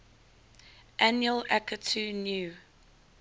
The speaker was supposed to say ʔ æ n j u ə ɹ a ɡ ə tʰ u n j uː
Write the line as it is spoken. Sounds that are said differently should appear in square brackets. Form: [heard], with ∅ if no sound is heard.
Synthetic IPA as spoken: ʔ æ n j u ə [l] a [k] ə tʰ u n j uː